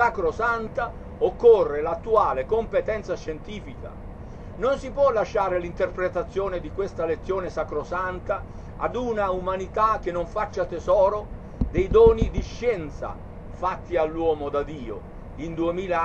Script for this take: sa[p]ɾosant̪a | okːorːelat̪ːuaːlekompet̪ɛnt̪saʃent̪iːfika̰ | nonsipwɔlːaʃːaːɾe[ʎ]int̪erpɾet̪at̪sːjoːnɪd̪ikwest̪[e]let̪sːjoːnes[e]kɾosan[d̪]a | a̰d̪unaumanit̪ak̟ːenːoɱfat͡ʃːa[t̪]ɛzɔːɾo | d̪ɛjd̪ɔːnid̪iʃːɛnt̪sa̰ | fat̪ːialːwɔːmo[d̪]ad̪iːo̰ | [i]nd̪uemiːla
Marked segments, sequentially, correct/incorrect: incorrect, incorrect, incorrect, incorrect, incorrect, correct, correct, correct

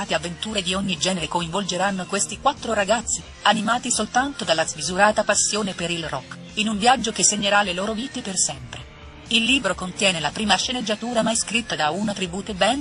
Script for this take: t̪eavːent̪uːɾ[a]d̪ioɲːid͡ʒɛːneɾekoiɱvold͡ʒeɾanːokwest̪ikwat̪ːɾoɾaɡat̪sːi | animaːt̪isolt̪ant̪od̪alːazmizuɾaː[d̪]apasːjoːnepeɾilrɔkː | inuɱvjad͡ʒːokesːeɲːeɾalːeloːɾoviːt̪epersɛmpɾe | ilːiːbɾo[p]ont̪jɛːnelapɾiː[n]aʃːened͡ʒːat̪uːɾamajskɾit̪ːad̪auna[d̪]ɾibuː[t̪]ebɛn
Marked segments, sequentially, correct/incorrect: incorrect, incorrect, incorrect, incorrect, incorrect, correct

